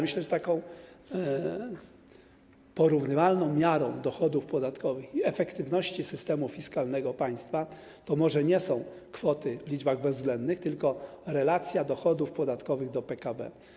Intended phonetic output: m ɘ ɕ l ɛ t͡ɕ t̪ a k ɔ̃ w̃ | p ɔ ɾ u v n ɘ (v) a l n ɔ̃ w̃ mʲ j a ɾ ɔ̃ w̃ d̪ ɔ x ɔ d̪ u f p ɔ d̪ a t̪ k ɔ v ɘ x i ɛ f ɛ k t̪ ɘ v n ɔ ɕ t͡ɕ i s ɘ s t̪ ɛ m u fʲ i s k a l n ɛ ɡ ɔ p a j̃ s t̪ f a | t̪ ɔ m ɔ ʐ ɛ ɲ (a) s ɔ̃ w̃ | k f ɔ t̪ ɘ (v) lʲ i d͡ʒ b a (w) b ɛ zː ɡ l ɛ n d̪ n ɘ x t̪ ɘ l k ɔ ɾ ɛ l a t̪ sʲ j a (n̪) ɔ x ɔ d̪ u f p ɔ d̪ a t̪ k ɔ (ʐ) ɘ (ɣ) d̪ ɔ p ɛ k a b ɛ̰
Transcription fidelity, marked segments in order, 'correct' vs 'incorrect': correct, incorrect, correct, incorrect, incorrect, incorrect, correct

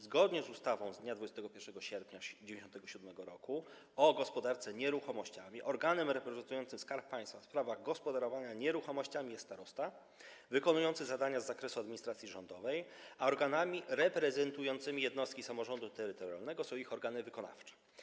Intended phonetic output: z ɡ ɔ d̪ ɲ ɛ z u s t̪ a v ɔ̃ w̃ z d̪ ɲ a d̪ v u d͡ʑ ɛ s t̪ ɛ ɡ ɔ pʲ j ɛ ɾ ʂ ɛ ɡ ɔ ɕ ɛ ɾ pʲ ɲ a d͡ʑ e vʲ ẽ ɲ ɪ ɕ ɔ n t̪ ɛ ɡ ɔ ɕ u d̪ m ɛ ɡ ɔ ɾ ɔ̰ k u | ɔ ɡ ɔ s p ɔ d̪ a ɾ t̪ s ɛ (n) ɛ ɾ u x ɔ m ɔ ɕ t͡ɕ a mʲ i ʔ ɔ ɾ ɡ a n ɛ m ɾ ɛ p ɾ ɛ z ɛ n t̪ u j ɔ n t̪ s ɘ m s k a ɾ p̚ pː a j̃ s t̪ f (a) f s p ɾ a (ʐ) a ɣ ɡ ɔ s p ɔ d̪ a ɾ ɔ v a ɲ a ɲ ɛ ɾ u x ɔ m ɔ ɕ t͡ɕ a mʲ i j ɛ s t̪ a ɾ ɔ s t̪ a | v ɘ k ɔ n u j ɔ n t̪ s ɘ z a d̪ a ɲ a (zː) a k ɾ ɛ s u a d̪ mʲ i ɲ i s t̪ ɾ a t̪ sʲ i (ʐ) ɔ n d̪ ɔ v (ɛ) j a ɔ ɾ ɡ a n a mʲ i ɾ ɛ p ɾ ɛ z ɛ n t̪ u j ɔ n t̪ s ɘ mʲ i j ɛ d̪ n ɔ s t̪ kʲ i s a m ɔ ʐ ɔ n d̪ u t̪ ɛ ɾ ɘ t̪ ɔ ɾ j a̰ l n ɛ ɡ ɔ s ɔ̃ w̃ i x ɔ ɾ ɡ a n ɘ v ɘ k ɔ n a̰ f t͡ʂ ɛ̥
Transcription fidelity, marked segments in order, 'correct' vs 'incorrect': incorrect, correct, incorrect, correct, correct, correct

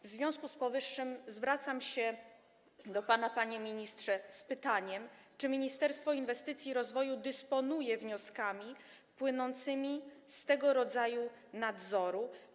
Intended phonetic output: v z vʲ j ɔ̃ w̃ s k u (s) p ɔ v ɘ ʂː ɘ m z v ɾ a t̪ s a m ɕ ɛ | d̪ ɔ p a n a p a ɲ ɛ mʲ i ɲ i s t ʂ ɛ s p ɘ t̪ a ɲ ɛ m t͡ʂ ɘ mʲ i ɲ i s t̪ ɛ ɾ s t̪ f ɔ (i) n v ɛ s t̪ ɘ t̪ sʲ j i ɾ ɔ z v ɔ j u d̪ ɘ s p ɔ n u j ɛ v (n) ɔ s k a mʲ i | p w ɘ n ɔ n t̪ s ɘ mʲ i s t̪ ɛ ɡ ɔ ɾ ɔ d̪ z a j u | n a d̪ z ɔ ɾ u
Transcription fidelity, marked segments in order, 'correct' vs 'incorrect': correct, correct, incorrect

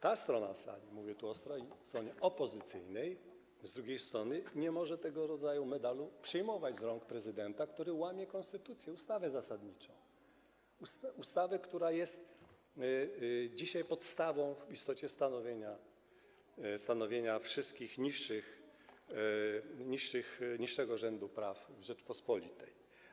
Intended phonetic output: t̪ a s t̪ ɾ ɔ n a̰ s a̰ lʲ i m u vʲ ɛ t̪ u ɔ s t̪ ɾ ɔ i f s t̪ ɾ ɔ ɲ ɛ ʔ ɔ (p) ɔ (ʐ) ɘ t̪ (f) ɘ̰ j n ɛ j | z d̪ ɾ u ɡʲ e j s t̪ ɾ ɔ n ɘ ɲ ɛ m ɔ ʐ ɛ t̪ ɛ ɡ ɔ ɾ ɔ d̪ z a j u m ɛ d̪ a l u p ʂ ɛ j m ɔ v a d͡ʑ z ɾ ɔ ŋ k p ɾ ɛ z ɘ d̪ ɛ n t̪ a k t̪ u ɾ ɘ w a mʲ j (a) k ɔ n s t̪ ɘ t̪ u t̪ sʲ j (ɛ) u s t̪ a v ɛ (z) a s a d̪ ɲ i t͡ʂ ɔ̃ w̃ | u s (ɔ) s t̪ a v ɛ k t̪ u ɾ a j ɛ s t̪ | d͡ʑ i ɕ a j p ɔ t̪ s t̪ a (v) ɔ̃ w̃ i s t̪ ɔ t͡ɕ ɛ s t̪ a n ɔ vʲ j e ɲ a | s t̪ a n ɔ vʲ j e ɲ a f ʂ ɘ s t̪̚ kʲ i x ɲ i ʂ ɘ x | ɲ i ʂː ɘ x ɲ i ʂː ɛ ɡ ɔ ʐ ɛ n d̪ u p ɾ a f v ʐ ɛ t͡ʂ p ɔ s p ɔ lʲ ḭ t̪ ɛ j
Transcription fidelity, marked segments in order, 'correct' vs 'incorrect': correct, incorrect, incorrect, incorrect, correct, correct, incorrect, correct

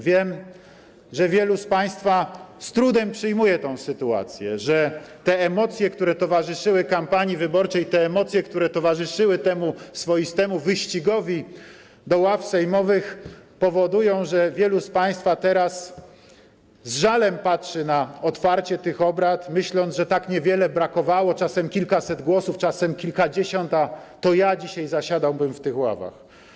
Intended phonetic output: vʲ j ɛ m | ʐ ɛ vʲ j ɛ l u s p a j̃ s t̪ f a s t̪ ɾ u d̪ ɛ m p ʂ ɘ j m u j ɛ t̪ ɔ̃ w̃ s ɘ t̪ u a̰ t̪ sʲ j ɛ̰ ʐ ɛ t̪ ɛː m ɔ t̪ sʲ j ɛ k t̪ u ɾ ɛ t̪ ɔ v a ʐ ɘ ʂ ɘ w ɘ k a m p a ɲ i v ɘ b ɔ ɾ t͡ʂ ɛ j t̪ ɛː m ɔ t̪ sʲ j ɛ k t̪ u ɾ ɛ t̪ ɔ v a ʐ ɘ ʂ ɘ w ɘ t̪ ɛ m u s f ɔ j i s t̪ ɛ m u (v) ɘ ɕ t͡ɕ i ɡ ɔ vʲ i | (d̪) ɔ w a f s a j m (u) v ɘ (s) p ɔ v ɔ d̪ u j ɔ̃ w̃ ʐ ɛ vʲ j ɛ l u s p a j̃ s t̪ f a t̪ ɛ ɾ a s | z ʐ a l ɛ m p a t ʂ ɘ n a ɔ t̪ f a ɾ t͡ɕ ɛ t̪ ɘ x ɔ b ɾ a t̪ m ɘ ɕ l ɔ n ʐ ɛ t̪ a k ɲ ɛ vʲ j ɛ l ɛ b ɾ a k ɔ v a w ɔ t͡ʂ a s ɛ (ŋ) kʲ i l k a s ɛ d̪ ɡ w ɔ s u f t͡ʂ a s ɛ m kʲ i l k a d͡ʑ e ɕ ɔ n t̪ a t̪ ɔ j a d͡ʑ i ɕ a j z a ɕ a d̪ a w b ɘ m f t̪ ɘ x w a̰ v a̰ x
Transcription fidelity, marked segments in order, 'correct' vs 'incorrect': correct, correct, incorrect, incorrect, incorrect

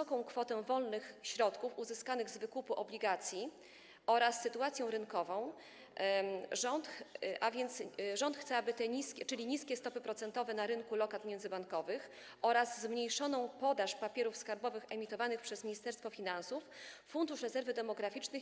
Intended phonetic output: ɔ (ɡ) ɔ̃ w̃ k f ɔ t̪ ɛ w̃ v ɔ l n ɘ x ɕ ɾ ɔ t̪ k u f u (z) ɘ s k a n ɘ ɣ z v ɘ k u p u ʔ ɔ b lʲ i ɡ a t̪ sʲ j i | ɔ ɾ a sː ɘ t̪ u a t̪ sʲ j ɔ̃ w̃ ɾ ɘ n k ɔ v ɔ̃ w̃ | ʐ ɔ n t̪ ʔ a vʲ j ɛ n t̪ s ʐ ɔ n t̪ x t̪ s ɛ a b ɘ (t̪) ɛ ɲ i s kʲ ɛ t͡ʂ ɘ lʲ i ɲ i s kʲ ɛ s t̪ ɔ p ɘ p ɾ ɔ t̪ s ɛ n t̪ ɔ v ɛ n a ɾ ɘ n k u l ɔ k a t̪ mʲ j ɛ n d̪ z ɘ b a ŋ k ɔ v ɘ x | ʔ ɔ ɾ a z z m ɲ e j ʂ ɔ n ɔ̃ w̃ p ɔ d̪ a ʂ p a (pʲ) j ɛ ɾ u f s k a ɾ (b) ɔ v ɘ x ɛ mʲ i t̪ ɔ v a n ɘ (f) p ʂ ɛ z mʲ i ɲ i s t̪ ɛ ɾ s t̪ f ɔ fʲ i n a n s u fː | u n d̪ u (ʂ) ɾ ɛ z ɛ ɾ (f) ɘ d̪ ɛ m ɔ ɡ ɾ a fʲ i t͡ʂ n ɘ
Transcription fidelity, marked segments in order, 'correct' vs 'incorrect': incorrect, correct, correct, correct, correct, incorrect, correct, incorrect

